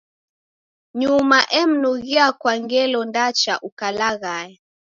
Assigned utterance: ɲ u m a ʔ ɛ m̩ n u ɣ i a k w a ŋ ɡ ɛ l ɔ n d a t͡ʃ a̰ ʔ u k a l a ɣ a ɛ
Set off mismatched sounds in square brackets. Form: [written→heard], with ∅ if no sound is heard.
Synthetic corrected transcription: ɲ u m a ʔ ɛ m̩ n u ɣ i a k w a ŋ ɡ ɛ l ɔ n d a t͡ʃ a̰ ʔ u k a l a ɣ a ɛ